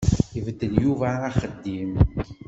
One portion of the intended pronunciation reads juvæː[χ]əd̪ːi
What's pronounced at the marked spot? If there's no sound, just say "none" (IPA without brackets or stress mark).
χ